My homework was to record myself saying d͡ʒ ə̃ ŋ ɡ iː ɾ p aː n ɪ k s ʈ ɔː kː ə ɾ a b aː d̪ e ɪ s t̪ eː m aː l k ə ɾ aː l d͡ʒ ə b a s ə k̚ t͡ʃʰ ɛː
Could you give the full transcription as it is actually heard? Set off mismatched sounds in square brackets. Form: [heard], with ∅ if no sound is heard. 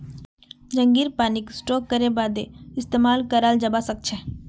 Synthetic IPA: d͡ʒ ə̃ ŋ ɡ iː ɾ p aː n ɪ k s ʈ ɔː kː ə ɾ [e] b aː d̪ e ɪ s t̪ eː m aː l k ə ɾ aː l d͡ʒ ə b a s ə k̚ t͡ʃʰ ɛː